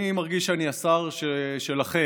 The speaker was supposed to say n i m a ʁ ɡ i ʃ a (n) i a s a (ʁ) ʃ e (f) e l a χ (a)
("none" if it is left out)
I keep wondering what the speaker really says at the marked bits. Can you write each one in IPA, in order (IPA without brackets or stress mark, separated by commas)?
n, ʁ, ʃ, e